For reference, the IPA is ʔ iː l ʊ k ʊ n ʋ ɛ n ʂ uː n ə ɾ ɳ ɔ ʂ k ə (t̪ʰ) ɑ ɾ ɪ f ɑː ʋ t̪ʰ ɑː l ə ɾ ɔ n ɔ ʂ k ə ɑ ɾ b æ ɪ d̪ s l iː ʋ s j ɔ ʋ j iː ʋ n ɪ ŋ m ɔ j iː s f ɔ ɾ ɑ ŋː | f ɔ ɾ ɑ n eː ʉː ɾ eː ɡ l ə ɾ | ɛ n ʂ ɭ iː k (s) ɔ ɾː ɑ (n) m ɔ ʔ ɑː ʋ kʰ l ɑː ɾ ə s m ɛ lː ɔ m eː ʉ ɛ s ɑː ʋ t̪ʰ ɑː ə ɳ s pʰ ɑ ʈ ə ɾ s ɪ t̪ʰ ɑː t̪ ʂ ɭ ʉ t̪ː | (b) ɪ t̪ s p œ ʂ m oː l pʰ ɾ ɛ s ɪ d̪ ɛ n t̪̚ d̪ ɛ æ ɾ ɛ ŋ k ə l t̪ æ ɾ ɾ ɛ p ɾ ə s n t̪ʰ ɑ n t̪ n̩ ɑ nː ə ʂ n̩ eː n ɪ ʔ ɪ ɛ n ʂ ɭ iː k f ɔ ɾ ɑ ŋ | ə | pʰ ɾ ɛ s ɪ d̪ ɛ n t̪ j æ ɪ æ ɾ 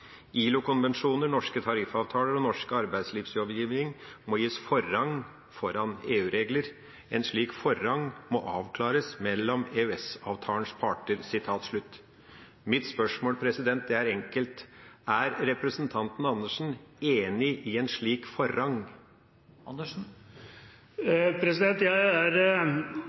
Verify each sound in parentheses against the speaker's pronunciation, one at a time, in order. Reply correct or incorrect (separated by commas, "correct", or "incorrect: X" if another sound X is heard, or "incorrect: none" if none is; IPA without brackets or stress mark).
correct, incorrect: f, incorrect: ŋ, incorrect: m